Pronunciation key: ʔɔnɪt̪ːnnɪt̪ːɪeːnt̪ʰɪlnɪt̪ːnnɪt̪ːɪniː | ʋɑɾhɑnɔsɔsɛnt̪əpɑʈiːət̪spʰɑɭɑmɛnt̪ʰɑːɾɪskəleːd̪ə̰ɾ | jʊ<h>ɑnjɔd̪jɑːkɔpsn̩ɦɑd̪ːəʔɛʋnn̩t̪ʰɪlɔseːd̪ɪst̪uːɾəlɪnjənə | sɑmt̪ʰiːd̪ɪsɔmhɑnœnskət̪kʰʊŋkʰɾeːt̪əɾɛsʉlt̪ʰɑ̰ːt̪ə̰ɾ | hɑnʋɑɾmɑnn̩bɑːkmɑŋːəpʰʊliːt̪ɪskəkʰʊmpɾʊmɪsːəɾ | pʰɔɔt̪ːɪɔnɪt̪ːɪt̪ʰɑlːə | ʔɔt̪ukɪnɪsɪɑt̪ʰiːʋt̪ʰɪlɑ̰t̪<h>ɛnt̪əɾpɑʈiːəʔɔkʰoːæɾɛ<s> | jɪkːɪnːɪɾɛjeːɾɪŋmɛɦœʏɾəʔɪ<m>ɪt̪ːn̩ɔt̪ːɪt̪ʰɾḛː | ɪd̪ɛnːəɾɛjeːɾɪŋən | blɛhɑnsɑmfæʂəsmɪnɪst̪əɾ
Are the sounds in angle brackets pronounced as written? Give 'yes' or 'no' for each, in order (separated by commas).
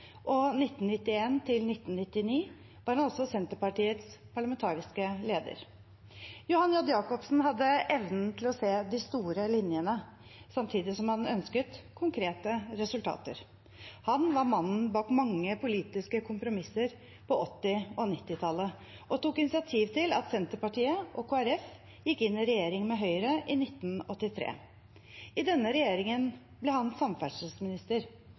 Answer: yes, no, no, no